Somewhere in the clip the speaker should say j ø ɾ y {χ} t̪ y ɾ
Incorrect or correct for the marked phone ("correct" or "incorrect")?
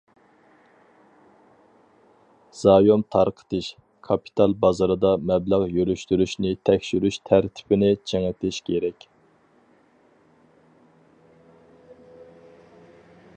incorrect